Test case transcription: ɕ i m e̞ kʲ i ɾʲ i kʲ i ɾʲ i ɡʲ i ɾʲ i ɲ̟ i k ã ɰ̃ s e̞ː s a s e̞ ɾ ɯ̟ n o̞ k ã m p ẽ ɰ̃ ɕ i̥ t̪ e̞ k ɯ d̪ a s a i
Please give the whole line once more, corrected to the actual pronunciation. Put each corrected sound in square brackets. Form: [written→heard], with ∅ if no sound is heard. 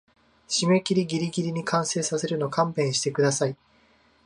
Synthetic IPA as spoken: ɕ i m e̞ kʲ i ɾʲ i [kʲ→ɡʲ] i ɾʲ i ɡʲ i ɾʲ i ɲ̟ i k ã ɰ̃ s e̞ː s a s e̞ ɾ ɯ̟ n o̞ k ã m p ẽ ɰ̃ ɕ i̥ t̪ e̞ k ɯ d̪ a s a i